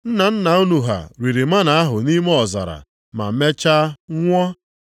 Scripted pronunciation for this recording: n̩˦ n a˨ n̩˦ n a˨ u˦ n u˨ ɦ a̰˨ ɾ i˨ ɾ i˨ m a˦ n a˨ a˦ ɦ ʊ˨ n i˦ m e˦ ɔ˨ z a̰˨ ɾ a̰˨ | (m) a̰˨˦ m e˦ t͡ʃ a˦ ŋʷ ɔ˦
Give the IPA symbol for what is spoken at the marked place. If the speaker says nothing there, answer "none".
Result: m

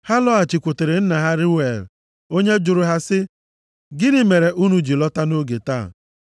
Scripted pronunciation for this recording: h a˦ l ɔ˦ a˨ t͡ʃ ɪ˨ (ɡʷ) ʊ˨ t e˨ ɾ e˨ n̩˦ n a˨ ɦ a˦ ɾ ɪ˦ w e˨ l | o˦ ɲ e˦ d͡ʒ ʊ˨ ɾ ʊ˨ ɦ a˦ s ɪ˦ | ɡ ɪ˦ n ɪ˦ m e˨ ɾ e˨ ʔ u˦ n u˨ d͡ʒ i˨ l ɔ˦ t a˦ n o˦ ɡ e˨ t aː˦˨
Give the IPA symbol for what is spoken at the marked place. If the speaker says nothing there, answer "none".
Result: kʷ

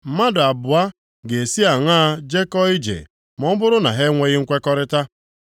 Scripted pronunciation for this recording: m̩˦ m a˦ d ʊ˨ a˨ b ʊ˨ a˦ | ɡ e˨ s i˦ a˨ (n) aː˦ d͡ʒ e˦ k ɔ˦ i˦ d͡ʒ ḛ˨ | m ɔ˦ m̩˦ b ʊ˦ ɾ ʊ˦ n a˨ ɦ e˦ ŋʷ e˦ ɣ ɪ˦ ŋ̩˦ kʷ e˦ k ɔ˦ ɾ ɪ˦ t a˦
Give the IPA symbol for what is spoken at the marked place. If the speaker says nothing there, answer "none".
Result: ŋ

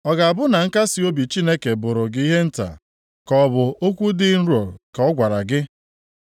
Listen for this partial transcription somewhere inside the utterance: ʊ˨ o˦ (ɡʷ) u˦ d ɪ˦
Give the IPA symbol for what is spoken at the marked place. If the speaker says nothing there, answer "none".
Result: kʷ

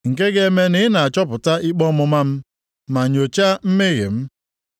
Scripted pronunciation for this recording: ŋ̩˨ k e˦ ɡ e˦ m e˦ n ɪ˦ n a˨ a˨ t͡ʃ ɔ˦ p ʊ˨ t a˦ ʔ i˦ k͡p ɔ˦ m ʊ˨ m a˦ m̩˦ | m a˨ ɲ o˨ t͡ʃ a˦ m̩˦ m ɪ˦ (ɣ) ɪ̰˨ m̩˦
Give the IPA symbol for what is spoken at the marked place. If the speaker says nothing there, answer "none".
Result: ɣ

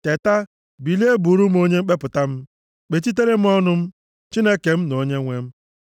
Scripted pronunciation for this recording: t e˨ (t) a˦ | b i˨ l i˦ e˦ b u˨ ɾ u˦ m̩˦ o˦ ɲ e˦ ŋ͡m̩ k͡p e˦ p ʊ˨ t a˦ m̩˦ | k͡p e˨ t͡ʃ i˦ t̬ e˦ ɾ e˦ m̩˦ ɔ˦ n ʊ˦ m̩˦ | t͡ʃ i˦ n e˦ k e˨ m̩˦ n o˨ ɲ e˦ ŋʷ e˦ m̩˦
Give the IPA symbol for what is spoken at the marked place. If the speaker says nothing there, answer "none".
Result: t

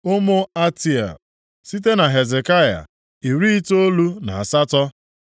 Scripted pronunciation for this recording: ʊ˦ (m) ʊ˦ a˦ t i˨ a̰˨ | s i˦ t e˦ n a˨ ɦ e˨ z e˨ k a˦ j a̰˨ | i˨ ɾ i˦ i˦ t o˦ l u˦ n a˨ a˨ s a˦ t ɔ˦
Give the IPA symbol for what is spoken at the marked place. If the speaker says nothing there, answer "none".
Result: m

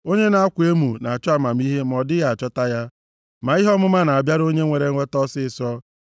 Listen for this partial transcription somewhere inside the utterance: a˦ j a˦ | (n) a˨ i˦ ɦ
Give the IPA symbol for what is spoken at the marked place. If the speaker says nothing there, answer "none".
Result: m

